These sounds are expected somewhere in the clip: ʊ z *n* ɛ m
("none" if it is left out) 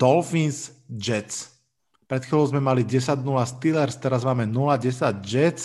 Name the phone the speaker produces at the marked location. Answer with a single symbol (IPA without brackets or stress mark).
m